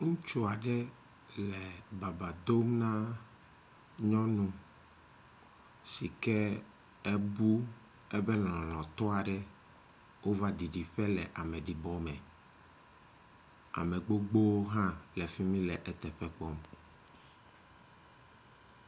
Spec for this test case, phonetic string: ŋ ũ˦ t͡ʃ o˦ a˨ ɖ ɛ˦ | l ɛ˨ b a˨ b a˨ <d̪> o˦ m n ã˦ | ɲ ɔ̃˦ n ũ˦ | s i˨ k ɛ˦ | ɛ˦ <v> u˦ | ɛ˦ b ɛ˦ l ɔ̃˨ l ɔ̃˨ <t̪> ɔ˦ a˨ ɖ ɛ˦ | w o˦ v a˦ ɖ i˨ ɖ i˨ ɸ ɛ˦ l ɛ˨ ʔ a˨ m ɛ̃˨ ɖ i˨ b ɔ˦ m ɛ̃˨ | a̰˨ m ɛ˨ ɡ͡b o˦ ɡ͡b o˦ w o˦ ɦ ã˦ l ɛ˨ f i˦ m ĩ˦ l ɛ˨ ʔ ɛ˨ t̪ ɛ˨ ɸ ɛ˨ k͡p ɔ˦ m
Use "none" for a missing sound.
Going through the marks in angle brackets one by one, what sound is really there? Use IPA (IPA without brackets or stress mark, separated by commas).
d̪, b, t̪